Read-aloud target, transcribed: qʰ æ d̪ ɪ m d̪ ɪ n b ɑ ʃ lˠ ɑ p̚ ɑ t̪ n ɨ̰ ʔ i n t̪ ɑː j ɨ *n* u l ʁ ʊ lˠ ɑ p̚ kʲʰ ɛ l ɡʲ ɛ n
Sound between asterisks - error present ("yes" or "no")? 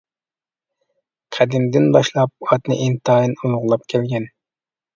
no